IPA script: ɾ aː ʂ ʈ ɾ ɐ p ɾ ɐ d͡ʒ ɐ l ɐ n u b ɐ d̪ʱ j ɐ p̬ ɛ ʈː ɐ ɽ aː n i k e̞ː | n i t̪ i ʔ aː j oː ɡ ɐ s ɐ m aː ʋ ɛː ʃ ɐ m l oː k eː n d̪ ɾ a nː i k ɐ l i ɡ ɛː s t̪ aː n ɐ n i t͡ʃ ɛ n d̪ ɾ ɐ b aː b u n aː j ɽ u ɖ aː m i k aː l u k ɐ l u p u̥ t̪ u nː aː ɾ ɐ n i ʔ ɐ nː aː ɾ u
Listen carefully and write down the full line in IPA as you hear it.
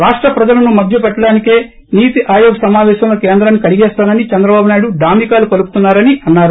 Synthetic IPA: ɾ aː ʂ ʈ ɾ ɐ p ɾ ɐ d͡ʒ ɐ l ɐ n u m ɐ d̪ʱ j ɐ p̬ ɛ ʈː ɐ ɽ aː n i k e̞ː | n iː t̪ i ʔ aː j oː ɡ ɐ s ɐ m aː ʋ ɛː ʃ ɐ m l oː k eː n d̪ ɾ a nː i k ɐ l i ɡ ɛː s t̪ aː n ɐ n i t͡ʃ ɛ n d̪ ɾ ɐ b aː b u n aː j ɽ u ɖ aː m i k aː l u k ɐ l u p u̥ t̪ u nː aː ɾ ɐ n i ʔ ɐ nː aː ɾ u